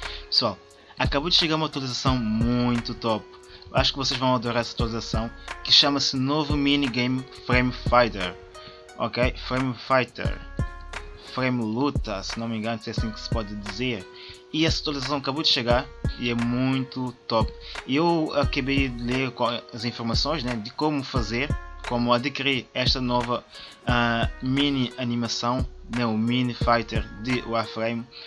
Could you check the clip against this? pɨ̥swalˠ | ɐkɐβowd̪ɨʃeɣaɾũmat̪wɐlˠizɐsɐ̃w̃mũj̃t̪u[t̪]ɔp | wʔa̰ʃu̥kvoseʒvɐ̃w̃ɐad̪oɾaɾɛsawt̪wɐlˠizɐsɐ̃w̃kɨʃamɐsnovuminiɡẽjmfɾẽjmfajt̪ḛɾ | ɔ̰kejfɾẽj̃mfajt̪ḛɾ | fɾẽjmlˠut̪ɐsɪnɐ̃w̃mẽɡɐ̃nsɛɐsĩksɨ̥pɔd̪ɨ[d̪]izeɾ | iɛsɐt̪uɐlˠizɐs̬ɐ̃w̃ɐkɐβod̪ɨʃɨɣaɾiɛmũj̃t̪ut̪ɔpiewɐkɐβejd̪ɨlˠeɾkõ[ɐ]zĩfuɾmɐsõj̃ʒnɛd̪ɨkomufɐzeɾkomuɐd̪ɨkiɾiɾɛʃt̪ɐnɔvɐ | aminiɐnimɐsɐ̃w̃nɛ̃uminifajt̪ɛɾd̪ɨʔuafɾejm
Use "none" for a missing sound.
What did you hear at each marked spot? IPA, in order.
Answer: t̪, d̪, ɐ

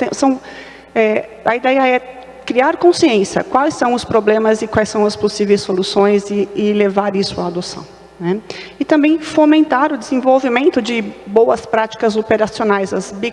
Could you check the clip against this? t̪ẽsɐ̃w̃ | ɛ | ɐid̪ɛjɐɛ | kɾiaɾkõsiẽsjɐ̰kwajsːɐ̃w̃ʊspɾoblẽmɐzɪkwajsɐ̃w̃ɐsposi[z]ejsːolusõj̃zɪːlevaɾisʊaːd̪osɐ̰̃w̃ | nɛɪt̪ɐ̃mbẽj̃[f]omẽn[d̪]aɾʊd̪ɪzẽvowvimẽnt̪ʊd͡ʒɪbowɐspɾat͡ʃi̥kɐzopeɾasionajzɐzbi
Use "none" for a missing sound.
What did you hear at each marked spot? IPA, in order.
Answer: v, f, t̪

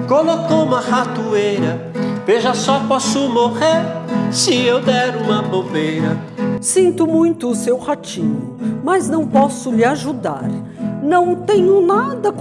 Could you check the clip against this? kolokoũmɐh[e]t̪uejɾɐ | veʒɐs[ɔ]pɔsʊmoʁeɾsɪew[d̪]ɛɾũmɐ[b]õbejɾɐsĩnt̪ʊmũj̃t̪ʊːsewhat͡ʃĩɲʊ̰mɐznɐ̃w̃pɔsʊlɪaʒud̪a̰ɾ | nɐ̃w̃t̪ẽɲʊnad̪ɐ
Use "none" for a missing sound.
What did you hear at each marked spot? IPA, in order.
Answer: a, ɔ, d̪, b

